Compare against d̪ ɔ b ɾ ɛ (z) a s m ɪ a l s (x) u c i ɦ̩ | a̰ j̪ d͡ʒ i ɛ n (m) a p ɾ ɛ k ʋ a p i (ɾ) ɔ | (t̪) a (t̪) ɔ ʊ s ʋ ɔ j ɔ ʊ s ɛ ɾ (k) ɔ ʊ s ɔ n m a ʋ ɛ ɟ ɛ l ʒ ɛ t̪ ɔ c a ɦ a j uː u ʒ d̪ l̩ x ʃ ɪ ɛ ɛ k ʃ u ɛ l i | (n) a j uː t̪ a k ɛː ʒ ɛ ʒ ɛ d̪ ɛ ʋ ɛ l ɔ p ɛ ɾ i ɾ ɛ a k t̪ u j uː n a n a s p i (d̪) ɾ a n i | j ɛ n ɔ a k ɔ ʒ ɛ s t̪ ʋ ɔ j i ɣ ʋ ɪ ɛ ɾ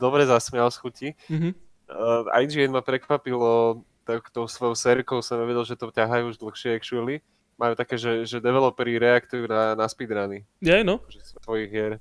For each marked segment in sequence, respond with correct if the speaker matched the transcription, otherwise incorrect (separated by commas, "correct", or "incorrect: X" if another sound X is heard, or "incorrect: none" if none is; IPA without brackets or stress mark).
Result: correct, correct, correct, incorrect: l, correct, correct, correct, incorrect: m, correct